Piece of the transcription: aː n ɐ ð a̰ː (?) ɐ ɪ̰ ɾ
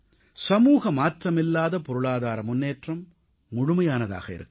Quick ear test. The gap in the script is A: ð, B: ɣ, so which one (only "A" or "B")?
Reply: B